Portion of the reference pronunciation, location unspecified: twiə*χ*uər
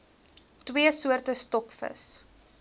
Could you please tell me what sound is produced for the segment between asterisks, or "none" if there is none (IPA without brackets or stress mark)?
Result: s